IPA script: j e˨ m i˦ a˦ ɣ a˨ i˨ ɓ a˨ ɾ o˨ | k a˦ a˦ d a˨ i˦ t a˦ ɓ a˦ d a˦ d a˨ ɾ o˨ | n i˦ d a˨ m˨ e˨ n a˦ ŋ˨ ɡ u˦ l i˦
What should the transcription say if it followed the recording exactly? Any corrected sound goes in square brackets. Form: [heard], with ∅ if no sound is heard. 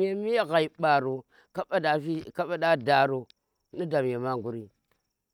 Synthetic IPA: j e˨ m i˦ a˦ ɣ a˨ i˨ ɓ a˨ ɾ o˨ | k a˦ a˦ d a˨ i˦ [k] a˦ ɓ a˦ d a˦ d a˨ ɾ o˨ | n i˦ d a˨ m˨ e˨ [m] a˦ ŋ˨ ɡ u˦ [ɾ] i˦